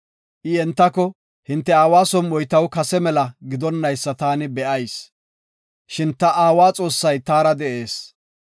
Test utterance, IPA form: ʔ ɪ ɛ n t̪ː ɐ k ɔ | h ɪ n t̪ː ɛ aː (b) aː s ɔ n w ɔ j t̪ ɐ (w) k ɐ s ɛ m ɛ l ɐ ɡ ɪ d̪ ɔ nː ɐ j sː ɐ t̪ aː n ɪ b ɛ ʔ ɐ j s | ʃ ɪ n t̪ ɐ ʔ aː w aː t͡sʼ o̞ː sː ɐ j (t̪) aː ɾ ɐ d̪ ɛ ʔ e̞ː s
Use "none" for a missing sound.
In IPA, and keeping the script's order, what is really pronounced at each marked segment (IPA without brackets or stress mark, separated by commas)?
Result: w, w, t̪